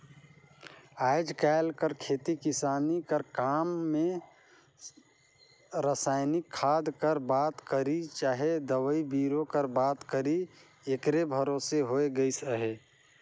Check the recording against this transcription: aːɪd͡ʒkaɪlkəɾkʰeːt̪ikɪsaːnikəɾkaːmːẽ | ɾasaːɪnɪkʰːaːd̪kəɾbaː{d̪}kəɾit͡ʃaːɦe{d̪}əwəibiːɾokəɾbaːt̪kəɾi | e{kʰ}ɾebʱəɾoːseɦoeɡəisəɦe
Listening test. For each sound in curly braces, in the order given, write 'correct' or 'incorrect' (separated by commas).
incorrect, correct, incorrect